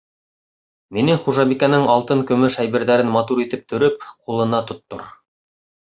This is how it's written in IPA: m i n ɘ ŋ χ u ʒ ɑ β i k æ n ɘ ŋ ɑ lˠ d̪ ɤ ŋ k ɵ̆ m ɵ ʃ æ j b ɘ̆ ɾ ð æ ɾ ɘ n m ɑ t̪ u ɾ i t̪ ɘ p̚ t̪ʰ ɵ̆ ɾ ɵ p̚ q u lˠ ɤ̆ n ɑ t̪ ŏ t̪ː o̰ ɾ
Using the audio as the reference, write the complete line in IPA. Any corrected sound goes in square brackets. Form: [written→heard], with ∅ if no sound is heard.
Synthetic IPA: m i n ɘ ŋ χ u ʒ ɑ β i k æ n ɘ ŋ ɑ lˠ [d̪→t̪] ɤ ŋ k ɵ̆ m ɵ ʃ æ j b ɘ̆ ɾ ð æ ɾ ɘ n m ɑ t̪ u ɾ i t̪ ɘ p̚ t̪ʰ ɵ̆ ɾ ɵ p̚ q u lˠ ɤ̆ n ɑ t̪ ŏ t̪ː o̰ ɾ